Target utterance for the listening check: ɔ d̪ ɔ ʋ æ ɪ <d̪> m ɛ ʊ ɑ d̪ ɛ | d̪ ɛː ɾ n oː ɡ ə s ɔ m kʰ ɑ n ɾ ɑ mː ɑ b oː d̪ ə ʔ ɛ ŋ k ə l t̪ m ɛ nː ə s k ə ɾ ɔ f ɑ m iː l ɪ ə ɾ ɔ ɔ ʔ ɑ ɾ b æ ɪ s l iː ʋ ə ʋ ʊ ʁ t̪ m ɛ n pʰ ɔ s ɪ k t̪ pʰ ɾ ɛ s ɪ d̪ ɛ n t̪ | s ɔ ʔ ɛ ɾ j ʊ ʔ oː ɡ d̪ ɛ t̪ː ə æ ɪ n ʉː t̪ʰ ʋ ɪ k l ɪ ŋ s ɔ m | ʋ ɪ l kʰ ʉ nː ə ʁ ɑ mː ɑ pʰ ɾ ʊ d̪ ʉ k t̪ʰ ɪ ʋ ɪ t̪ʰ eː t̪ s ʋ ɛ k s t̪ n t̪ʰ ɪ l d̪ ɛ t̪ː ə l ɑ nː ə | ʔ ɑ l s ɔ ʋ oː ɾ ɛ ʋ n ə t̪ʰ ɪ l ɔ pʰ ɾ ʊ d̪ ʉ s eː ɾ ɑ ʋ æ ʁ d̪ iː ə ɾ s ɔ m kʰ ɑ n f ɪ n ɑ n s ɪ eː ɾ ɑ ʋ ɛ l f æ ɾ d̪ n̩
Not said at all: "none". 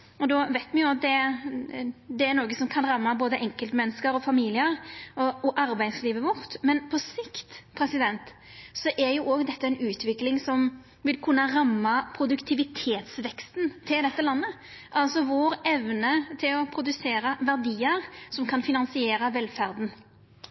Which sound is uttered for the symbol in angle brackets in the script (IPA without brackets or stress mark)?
t̪